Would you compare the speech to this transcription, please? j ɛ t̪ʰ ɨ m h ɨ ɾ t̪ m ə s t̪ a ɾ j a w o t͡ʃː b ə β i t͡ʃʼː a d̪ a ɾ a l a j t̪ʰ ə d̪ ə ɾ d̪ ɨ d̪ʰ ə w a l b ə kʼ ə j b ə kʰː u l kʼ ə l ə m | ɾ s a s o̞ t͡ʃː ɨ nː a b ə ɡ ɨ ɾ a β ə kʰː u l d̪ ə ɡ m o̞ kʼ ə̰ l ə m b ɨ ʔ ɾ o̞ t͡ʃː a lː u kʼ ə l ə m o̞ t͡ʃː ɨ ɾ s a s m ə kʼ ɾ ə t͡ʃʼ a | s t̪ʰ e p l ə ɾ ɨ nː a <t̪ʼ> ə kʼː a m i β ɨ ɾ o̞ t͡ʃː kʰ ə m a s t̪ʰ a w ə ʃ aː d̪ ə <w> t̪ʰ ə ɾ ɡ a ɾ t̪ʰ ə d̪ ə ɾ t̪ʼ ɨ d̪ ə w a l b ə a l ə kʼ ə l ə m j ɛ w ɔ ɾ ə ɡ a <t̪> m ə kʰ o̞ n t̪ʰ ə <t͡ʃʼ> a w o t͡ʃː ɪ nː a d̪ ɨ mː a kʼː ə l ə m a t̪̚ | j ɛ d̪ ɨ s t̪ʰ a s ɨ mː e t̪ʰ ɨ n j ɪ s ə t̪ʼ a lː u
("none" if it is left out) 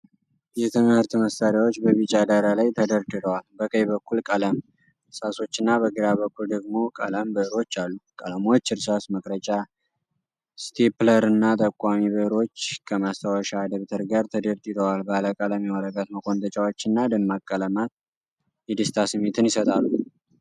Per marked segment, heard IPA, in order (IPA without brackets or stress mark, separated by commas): t̪ʼ, β, t̪, t͡ʃʼ